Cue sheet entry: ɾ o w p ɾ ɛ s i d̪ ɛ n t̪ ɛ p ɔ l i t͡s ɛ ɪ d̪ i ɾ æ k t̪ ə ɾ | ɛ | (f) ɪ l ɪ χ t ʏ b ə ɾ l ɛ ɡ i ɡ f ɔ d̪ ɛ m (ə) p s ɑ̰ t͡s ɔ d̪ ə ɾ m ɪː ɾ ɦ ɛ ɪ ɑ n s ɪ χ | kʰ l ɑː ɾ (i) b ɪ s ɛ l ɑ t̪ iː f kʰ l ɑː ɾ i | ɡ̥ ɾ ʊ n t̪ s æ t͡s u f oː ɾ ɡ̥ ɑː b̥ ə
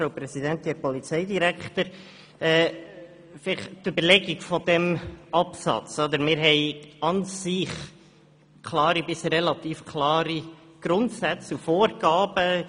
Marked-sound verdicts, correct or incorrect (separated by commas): correct, incorrect, correct